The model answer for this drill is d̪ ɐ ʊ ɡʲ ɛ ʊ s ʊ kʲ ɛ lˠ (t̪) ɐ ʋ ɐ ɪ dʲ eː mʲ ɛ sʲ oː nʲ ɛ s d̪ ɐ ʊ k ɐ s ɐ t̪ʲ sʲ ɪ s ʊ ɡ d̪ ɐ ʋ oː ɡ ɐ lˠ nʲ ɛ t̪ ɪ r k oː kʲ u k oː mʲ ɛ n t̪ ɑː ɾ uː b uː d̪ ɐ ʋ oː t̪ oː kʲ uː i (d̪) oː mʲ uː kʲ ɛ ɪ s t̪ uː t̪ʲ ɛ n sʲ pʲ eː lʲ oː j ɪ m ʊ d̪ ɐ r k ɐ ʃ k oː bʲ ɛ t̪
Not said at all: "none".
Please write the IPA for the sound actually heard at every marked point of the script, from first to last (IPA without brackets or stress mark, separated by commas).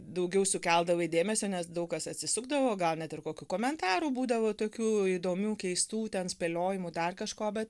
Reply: d̪, d̪